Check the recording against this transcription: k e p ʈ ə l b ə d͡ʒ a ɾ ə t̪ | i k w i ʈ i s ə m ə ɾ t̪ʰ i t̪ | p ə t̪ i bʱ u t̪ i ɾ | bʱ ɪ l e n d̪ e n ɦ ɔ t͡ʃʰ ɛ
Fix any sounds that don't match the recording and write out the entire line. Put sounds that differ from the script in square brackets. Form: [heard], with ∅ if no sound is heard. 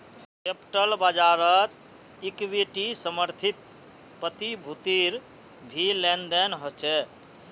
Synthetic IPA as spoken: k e p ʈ ə l b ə d͡ʒ a ɾ ə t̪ | i k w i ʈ i s ə m ə ɾ t̪ʰ i t̪ | p ə t̪ i bʱ u t̪ i ɾ | bʱ [i] l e n d̪ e n ɦ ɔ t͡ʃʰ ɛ